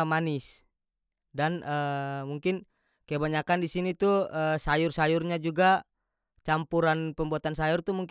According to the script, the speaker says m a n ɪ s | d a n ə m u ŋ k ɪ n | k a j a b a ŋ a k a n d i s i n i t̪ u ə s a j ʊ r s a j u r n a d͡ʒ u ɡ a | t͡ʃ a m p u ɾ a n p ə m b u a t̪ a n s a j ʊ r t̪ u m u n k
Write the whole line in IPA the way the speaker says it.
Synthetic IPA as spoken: m a n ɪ s | d a n ə m u ŋ k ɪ n | k a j a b a ɲ a k a n d i s i n i t̪ u ə s a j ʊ r s a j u r ɲ a d͡ʒ u ɡ a | t͡ʃ a m p u ɾ a n p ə m b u a t̪ a n s a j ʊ r t̪ u m u ŋ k